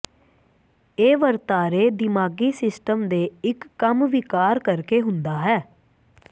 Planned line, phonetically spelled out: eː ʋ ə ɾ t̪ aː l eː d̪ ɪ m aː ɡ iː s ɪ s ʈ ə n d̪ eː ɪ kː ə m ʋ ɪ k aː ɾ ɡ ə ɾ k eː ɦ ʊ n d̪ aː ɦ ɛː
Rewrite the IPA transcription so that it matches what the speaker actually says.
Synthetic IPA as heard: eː ʋ ə ɾ t̪ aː ɾ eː d̪ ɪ m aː ɡ iː s ɪ s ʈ ə m d̪ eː ɪ kː ə m ʋ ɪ k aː ɾ k ə ɾ k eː ɦ ʊ n d̪ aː ɦ ɛː

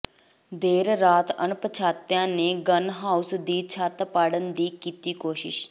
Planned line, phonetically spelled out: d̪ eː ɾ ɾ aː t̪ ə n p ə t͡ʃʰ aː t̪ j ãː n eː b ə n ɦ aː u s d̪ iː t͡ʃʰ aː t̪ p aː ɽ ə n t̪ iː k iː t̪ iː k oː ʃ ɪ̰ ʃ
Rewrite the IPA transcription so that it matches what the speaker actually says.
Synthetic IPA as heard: d̪ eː ɾ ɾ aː t̪ ə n p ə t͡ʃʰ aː t̪ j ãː n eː ɡ ə n ɦ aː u s d̪ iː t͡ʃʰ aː t̪ p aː ɽ ə n d̪ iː k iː t̪ iː k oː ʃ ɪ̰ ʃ

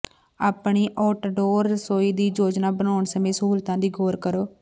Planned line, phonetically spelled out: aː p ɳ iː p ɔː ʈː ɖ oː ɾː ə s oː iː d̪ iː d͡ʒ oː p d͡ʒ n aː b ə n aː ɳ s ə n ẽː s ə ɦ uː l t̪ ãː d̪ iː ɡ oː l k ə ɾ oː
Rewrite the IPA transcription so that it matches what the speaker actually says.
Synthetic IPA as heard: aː p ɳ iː ʔ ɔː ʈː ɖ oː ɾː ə s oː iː d̪ iː d͡ʒ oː d͡ʒ n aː b ə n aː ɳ s ə m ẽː s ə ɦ uː l t̪ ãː d̪ iː ɡ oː ɾ k ə ɾ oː

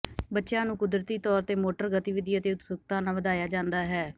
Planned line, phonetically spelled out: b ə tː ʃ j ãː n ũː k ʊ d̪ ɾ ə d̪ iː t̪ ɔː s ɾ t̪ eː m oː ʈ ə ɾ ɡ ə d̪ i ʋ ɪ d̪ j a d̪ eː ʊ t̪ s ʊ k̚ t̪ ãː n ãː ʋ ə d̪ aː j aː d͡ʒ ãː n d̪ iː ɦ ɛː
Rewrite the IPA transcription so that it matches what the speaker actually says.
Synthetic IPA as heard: b ə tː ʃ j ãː n ũː k ʊ d̪ ɾ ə t̪ iː t̪ ɔː ɾ t̪ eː m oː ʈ ə ɾ ɡ ə t̪ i ʋ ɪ d̪ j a t̪ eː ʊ t̪ s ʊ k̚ t̪ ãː n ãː ʋ ə d̪ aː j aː d͡ʒ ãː n d̪ aː ɦ ɛː

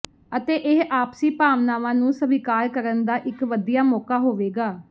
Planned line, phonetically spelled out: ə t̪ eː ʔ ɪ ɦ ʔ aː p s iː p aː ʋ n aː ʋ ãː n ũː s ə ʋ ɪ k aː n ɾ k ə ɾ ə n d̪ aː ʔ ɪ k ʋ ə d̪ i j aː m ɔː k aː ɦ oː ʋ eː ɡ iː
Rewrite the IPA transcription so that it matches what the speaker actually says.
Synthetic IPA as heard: ə t̪ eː ʔ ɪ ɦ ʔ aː p s iː p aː ʋ n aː ʋ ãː n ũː s ə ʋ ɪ k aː ɾ k ə ɾ ə n d̪ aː ʔ ɪ k ʋ ə d̪ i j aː m ɔː k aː ɦ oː ʋ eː ɡ aː

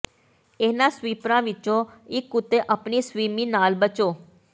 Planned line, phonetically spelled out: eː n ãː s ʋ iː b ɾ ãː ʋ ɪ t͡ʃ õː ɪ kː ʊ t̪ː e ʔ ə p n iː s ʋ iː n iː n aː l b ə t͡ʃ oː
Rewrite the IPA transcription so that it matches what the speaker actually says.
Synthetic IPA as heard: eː n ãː s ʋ iː p ɾ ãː ʋ ɪ t͡ʃ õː ɪ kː ʊ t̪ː e ʔ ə p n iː s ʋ iː m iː n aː l b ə t͡ʃ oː

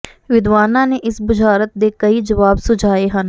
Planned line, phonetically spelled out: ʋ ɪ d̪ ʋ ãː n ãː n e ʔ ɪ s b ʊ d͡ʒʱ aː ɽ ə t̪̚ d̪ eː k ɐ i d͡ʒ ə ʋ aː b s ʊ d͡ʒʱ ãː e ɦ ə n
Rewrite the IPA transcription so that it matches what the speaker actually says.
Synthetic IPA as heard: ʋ ɪ d̪ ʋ aː n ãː n e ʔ ɪ s b ʊ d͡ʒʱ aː ɾ ə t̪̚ d̪ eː k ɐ i d͡ʒ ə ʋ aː b s ʊ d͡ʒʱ aː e ɦ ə n

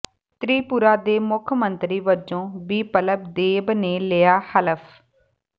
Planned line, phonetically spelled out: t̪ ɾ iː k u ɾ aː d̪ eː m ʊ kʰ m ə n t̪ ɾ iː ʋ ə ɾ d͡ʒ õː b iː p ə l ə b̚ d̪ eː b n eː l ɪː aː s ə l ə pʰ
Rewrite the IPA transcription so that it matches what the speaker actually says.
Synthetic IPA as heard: t̪ ɾ iː p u ɾ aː d̪ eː m ʊ kʰ m ə n t̪ ɾ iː ʋ ə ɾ d͡ʒ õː b iː p ə l ə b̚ d̪ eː b n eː l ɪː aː h ə l ə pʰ

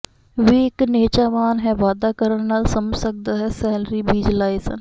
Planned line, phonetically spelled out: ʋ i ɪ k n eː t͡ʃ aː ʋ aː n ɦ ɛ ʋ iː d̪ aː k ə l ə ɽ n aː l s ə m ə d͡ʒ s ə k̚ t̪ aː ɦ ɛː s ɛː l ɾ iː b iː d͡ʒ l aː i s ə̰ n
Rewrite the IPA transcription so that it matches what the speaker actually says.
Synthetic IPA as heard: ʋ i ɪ k n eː t͡ʃ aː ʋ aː n ɦ ɛ ʋ aː d̪ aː k ə ɾ ə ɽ n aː l s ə m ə d͡ʒ s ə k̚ d̪ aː ɦ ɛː s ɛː l ɾ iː b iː d͡ʒ l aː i s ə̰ n

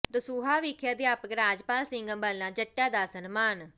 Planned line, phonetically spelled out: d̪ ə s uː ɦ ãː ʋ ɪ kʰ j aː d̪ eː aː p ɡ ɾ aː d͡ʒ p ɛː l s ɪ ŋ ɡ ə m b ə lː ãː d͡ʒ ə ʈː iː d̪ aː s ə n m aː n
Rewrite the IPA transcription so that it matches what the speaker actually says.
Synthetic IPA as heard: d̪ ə s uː ɦ aː ʋ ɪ kʰ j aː d̪ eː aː p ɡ ɾ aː d͡ʒ p aː l s ɪ ŋ ɡ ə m b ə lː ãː d͡ʒ ə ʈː aː d̪ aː s ə n m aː n

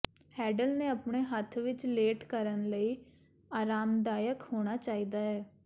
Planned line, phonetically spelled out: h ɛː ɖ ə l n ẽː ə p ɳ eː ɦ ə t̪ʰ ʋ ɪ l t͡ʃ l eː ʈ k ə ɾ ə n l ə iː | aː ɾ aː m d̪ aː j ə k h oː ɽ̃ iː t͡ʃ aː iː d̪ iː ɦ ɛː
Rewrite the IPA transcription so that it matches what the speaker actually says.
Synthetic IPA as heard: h ɛː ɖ ə l n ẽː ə p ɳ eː ɦ ə t̪ʰ ʋ ɪ t͡ʃ l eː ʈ k ə ɾ ə n l ə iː | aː ɾ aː m d̪ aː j ə k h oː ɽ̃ aː t͡ʃ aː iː d̪ aː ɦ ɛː

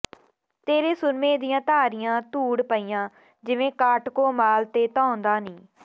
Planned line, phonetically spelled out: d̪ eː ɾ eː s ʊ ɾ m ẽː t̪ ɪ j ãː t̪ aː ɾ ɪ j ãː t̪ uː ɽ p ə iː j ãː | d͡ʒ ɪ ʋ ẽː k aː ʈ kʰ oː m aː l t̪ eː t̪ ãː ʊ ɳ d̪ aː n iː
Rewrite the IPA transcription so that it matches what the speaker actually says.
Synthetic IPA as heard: t̪ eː ɾ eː s ʊ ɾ m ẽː d̪ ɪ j ãː t̪ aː ɾ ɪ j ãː t̪ uː ɽ p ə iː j ãː | d͡ʒ ɪ ʋ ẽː k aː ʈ k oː m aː l t̪ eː t̪ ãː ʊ n d̪ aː n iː

